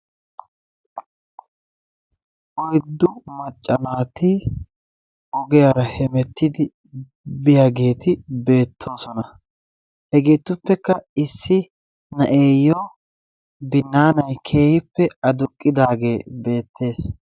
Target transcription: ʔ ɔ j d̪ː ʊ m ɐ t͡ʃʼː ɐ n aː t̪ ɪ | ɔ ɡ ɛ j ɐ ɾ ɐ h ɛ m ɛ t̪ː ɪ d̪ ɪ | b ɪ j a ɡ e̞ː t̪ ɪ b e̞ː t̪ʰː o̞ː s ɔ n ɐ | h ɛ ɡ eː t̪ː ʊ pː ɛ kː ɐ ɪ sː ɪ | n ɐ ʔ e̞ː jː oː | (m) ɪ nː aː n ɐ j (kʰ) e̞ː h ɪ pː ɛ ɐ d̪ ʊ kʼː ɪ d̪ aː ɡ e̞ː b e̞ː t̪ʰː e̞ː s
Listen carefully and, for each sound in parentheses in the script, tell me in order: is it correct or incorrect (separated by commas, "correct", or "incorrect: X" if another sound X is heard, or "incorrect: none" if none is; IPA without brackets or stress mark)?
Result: incorrect: b, correct